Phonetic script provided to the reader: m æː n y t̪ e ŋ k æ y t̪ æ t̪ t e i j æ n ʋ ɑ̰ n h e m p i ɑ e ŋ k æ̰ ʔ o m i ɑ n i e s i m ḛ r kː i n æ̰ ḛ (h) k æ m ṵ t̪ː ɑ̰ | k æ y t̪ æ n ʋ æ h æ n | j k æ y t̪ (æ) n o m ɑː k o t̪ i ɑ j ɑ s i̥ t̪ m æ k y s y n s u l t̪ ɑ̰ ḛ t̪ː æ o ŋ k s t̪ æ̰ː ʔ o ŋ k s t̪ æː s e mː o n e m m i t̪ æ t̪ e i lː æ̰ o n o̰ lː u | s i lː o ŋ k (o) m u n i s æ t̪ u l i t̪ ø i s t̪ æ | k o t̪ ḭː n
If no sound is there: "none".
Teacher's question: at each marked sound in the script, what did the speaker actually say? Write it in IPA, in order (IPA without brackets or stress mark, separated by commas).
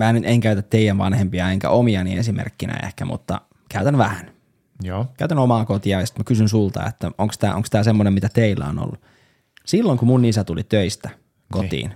h, æ, u